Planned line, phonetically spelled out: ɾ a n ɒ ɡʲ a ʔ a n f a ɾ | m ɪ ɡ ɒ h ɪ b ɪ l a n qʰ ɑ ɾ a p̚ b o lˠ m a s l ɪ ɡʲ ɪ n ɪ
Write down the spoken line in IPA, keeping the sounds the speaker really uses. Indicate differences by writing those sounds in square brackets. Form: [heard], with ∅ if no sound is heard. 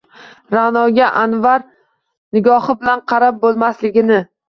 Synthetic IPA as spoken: ɾ a n ɒ ɡʲ a ʔ a n [v] a ɾ | [n] ɪ ɡ ɒ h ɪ b ɪ l a n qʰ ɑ ɾ a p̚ b o lˠ m a s l ɪ ɡʲ ɪ n ɪ